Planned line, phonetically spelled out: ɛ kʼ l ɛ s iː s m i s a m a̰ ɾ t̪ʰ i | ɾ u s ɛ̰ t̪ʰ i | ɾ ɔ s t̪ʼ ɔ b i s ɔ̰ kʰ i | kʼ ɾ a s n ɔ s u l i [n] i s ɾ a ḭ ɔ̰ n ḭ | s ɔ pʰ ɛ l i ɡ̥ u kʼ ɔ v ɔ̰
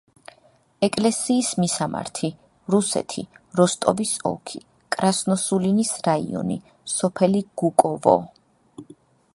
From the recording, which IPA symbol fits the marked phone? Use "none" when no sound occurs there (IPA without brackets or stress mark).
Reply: n